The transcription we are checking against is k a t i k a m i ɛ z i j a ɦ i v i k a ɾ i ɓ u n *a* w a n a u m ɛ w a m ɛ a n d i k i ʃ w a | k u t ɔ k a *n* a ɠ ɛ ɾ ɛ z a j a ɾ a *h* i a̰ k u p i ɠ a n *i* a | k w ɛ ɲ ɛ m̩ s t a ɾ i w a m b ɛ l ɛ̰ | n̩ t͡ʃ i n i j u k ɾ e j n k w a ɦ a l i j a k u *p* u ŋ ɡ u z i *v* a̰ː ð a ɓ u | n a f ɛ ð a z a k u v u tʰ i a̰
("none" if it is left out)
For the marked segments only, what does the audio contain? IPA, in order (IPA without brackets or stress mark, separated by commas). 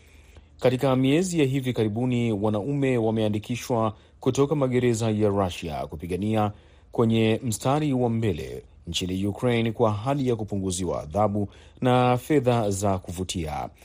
i, m, ʃ, i, p, w